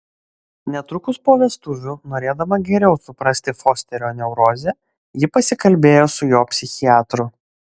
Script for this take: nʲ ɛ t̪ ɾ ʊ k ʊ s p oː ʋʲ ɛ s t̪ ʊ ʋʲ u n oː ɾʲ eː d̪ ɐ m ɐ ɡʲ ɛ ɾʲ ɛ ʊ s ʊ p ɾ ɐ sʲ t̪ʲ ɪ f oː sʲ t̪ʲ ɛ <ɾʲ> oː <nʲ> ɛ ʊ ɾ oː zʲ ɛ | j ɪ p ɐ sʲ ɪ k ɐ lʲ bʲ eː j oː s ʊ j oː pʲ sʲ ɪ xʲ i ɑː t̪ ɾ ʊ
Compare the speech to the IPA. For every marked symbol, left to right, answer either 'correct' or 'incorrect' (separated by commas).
correct, correct